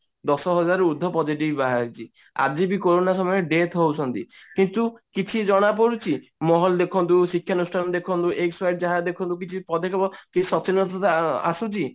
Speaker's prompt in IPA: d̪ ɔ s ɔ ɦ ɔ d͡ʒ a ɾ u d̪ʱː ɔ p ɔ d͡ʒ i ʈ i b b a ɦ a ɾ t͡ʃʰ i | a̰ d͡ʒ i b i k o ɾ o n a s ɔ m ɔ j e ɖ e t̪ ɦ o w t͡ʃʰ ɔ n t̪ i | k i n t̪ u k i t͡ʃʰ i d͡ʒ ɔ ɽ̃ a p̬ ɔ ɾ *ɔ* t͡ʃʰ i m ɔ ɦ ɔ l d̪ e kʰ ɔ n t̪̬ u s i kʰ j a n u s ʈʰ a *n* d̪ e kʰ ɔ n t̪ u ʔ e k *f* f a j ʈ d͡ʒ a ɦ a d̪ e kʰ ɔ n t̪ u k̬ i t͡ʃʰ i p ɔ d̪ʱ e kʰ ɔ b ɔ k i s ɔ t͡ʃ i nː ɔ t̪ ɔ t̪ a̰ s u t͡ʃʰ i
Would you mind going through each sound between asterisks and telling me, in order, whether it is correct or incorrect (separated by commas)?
incorrect, correct, incorrect